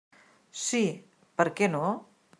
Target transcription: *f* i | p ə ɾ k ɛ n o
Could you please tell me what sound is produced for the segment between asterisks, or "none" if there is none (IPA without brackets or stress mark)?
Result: s